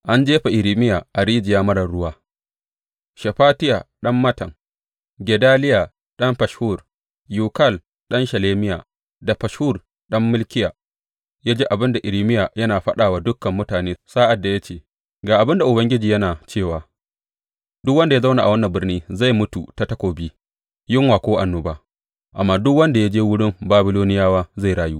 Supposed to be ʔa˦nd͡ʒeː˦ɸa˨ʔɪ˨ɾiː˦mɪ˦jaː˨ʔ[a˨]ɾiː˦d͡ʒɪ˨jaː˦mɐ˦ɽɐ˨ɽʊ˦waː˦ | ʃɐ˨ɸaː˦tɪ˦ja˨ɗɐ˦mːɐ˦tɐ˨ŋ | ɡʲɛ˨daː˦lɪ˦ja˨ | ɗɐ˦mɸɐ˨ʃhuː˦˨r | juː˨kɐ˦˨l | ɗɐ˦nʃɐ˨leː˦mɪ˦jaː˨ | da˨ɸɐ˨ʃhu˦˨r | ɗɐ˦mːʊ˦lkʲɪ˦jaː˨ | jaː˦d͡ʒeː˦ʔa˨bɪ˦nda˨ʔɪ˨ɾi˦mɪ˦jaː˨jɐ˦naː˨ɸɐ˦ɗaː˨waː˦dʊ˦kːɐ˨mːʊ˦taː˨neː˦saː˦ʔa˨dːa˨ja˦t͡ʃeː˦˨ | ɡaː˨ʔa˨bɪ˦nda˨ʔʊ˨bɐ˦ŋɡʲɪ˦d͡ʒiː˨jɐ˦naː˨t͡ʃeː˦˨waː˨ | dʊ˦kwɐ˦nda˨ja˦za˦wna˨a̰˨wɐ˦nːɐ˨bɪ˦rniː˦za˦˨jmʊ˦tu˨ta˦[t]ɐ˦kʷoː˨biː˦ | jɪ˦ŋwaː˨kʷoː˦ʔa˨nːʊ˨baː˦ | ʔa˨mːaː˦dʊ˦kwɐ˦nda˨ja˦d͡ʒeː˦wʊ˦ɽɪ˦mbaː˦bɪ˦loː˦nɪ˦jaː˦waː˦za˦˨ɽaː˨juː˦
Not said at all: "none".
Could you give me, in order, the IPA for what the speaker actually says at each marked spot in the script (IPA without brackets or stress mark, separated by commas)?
a˨, t